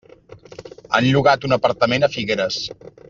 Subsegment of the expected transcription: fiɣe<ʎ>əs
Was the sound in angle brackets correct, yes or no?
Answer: no